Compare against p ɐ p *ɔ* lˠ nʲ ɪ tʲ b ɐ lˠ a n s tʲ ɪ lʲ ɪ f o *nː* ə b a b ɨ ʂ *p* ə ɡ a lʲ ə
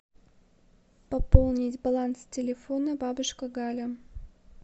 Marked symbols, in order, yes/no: no, no, no

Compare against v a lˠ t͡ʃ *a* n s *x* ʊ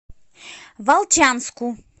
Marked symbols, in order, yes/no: yes, no

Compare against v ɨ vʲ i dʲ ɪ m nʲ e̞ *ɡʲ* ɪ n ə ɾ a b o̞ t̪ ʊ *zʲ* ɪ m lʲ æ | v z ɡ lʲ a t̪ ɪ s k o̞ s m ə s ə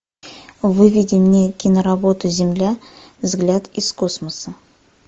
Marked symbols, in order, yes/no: no, yes

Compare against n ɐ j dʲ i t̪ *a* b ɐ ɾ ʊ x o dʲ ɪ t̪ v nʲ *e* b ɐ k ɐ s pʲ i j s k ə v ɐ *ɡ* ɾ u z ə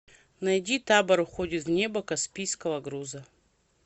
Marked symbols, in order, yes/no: yes, yes, yes

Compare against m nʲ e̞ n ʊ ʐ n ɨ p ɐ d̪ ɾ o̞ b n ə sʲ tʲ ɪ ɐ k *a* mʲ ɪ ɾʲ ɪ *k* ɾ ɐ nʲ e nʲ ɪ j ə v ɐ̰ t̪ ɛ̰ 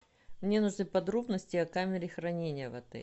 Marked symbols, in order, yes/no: yes, no

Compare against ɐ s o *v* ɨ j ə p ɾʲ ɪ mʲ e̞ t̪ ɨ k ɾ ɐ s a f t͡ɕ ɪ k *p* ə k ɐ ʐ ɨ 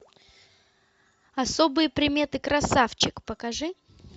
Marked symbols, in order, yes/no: no, yes

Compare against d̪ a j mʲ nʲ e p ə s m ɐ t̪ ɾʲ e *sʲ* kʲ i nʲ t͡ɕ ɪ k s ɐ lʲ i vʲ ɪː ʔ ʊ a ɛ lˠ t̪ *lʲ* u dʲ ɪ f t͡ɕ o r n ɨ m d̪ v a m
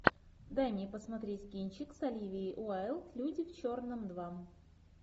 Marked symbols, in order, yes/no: no, yes

